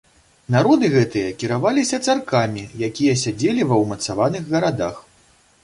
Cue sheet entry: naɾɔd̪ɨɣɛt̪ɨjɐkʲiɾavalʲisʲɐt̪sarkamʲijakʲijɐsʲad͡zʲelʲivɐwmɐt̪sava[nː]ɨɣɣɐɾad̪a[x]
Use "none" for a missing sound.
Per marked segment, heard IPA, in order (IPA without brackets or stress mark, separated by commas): n, x